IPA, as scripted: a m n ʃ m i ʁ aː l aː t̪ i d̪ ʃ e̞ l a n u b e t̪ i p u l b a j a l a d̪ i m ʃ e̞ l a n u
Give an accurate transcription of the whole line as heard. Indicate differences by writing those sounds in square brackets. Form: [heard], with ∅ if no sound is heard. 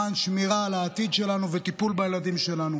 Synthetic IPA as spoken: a [∅] n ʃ m i ʁ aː l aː t̪ i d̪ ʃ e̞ l a n u [v] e t̪ i p u l b a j [e] l a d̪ i m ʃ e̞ l a n u